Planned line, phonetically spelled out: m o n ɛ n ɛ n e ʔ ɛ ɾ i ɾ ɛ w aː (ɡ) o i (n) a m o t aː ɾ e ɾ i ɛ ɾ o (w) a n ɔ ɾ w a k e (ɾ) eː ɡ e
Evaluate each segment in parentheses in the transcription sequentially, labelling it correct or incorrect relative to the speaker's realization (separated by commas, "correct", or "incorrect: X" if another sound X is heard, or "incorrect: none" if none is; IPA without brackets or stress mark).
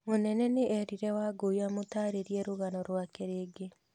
correct, incorrect: none, incorrect: ɣ, correct